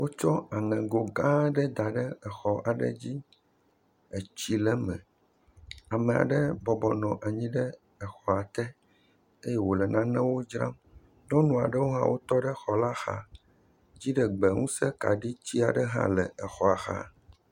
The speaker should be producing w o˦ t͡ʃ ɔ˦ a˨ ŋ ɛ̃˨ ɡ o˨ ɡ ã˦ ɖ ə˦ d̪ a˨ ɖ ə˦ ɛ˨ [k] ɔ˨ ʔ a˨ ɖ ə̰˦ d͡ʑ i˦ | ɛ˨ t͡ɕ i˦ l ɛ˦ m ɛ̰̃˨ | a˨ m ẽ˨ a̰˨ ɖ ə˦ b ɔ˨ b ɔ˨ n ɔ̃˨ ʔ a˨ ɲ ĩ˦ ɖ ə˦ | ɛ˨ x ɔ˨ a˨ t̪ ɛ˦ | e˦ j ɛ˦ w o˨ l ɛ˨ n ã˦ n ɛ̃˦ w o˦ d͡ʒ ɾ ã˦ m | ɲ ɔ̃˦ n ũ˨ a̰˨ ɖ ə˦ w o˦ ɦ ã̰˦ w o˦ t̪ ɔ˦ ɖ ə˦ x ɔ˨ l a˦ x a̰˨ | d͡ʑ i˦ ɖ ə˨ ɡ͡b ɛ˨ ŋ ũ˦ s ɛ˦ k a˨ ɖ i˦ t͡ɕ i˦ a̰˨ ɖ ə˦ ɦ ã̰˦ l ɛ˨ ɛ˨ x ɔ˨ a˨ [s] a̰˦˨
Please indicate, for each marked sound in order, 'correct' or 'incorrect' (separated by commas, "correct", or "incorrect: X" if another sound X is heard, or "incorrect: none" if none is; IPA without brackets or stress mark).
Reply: incorrect: x, incorrect: x